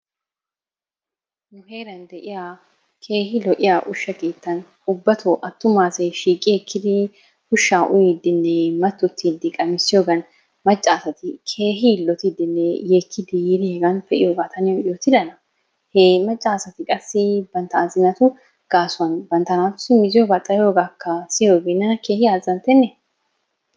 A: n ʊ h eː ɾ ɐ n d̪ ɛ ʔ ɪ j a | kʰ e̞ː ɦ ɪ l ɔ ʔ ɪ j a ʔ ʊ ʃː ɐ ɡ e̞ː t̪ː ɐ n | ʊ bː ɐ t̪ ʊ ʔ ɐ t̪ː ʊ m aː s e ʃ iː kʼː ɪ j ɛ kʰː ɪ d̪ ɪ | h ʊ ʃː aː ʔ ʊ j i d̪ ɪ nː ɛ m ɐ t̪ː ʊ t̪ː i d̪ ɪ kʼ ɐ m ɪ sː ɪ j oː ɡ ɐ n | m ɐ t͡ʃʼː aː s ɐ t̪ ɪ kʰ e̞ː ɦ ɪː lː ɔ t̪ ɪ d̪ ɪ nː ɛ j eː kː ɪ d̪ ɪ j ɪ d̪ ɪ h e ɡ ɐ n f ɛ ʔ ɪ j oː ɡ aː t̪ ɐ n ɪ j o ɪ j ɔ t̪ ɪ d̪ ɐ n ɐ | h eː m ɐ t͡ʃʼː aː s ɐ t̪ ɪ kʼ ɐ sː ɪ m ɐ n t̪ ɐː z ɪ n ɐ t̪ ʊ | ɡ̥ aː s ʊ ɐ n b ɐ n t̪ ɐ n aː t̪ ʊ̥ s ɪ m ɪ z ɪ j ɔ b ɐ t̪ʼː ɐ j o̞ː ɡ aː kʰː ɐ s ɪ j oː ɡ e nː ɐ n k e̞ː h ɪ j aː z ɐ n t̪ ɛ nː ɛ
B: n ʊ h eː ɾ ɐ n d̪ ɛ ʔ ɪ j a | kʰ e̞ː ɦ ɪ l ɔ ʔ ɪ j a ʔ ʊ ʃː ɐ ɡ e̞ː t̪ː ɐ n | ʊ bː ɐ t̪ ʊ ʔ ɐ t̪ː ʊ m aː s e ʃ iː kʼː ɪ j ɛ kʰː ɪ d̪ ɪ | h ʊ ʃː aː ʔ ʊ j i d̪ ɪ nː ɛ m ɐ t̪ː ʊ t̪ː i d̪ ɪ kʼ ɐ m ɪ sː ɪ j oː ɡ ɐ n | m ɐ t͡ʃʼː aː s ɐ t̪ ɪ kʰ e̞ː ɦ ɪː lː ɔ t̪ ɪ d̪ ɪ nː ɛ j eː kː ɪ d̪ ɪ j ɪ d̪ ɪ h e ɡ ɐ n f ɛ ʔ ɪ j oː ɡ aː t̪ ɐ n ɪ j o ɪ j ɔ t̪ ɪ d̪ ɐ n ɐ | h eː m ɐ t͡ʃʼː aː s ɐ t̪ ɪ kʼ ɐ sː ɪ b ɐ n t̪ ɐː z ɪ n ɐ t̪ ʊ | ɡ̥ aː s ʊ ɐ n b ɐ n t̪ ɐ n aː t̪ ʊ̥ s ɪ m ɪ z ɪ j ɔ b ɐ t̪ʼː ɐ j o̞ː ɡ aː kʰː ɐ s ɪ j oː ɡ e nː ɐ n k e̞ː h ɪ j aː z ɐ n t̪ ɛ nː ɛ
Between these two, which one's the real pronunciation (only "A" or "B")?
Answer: B